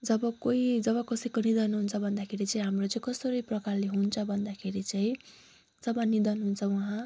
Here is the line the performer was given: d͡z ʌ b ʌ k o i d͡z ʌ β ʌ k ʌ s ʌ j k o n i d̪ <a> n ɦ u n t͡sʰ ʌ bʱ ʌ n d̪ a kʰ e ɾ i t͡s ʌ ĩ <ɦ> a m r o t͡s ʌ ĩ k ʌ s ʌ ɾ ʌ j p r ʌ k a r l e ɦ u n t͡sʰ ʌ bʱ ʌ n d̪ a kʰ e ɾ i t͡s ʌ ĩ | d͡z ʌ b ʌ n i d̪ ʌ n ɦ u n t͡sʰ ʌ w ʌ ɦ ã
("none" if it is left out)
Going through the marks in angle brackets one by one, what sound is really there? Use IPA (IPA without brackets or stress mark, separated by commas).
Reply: ʌ, ɦ